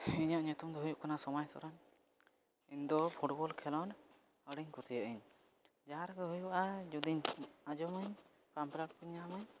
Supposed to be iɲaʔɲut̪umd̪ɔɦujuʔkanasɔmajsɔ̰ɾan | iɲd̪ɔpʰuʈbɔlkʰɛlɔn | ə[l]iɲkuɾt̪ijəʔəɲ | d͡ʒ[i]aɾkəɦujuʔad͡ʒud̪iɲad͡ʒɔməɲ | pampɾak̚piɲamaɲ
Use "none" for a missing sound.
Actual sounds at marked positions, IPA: ɽ, a

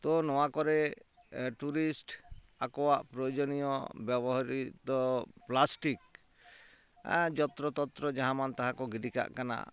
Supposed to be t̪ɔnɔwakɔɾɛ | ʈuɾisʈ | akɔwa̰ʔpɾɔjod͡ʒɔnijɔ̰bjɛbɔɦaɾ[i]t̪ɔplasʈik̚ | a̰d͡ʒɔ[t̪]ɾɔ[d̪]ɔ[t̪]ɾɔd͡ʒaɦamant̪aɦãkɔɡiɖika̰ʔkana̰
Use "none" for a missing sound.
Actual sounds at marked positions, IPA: i, t̪, t̪, t̪

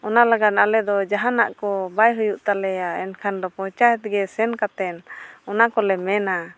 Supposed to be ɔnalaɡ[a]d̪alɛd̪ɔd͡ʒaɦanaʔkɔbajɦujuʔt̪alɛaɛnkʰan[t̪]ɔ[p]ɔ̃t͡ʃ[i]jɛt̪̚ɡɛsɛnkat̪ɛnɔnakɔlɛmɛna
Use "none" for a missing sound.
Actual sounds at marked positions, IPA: a, d̪, p, a

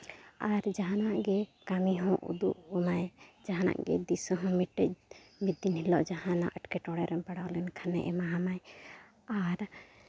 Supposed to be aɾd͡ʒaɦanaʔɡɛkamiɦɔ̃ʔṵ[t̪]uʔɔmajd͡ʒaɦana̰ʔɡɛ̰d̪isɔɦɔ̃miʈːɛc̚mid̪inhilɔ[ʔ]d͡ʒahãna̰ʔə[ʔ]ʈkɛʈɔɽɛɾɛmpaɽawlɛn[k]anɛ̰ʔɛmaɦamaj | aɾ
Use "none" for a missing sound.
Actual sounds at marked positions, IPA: d̪, ʔ, none, kʰ

